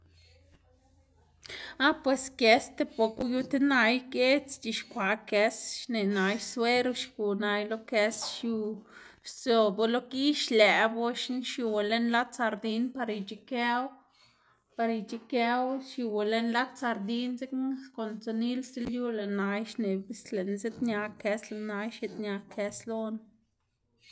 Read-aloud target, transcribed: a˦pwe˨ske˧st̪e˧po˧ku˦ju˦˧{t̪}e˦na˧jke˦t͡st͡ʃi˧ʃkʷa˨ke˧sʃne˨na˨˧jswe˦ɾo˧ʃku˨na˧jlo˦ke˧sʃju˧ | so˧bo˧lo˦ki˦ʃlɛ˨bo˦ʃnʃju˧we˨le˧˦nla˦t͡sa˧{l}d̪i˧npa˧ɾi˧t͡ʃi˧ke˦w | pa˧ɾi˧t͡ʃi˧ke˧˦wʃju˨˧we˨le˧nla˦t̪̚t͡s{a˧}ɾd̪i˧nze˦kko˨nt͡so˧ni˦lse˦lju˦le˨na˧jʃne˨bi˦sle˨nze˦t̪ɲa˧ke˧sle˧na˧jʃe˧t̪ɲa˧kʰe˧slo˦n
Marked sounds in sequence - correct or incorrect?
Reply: correct, incorrect, correct

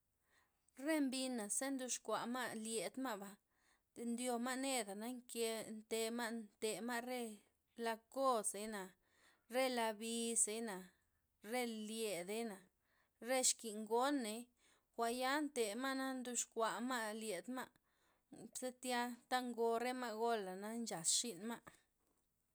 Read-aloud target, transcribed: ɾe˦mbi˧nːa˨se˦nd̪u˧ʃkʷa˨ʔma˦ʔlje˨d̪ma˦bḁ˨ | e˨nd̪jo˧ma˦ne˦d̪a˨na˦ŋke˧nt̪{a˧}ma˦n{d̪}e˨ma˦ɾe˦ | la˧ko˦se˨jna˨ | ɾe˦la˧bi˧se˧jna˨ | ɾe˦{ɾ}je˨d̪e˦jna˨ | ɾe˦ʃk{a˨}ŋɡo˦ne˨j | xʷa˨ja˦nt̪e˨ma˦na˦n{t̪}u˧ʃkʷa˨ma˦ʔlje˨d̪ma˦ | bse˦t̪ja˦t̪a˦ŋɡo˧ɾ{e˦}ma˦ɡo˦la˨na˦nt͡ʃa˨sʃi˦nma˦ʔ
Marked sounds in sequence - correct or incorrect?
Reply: incorrect, incorrect, incorrect, incorrect, incorrect, correct

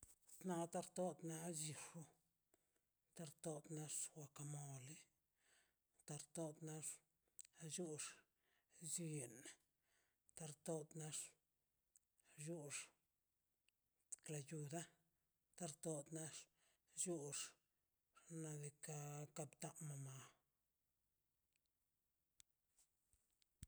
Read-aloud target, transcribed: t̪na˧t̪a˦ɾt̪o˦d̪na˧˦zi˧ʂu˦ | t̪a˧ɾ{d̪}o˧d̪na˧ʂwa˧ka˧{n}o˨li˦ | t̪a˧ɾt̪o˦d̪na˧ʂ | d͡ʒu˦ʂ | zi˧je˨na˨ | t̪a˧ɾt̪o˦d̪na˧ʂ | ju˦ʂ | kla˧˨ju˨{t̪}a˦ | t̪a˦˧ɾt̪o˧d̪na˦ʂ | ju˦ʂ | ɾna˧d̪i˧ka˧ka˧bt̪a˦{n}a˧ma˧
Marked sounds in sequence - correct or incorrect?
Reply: incorrect, incorrect, incorrect, incorrect

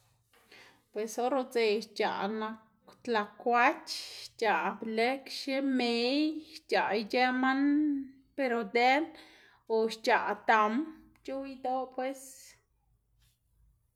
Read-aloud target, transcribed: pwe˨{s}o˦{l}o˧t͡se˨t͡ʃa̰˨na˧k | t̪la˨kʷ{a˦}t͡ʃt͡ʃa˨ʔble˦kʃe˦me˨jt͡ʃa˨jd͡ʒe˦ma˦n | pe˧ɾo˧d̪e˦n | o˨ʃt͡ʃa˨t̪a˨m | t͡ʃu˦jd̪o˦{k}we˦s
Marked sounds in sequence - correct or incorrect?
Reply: correct, incorrect, correct, incorrect

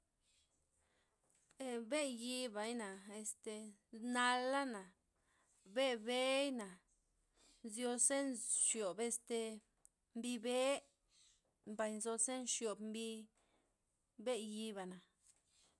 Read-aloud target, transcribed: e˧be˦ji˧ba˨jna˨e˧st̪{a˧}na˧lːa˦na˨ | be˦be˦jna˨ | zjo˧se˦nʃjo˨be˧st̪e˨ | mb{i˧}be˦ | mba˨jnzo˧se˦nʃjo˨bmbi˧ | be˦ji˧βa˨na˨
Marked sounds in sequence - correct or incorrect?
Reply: incorrect, correct

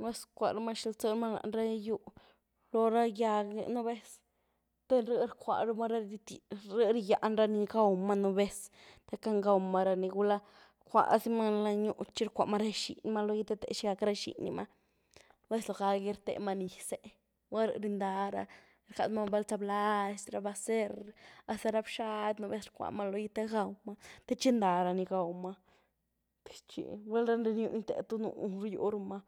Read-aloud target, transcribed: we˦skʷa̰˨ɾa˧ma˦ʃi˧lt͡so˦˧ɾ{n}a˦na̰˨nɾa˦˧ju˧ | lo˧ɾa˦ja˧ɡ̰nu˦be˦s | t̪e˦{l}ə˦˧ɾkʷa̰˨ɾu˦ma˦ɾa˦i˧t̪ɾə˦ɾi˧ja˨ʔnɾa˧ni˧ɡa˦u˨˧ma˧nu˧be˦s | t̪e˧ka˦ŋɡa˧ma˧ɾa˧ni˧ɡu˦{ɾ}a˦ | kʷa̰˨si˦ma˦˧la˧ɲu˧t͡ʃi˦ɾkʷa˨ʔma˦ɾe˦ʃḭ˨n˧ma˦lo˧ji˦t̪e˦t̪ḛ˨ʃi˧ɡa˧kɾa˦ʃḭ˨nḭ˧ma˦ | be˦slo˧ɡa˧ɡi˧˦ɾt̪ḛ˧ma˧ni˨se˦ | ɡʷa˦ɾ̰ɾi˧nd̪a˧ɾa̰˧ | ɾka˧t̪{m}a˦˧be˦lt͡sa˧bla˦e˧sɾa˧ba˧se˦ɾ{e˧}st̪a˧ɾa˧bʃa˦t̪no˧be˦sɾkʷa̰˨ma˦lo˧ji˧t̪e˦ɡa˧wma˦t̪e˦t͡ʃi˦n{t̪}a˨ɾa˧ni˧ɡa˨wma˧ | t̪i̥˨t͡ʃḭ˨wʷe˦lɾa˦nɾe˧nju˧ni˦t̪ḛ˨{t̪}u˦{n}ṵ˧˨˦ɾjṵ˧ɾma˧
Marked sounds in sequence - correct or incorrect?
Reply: incorrect, incorrect, incorrect, correct, incorrect, incorrect, correct, correct

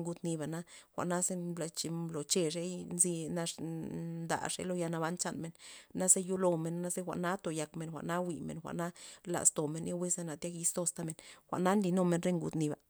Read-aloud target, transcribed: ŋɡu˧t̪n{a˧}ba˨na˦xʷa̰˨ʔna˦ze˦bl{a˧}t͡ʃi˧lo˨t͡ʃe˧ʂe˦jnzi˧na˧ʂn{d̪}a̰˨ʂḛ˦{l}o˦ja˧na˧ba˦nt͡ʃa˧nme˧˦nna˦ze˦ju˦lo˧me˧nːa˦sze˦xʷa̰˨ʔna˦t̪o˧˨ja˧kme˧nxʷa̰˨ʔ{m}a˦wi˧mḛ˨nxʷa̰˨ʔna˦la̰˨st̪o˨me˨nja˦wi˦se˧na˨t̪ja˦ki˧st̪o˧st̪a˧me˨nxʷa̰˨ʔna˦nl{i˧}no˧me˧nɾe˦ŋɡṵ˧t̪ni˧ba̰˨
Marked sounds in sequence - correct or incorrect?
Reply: incorrect, correct, correct, correct, incorrect, correct

